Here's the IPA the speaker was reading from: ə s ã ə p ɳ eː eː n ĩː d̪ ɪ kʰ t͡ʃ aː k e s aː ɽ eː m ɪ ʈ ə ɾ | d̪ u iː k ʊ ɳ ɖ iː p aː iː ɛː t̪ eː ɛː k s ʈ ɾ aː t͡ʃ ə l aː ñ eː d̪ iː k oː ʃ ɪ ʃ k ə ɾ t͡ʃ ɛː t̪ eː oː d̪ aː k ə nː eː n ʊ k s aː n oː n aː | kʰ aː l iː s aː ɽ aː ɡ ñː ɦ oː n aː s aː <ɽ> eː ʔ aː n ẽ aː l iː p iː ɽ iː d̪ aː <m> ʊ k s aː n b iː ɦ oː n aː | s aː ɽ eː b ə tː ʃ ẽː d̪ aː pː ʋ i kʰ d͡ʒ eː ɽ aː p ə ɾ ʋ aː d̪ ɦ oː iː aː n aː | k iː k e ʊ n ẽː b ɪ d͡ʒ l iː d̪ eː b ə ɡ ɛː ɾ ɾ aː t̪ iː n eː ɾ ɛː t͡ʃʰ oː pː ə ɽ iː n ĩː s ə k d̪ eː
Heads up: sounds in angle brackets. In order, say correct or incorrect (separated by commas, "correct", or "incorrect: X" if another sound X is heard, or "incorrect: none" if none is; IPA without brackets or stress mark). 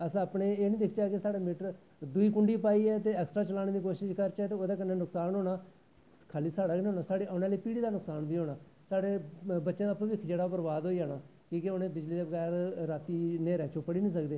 correct, incorrect: n